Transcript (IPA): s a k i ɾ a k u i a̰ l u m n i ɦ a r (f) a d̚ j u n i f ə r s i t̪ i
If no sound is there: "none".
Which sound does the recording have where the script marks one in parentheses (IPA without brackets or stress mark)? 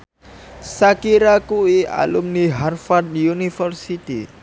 f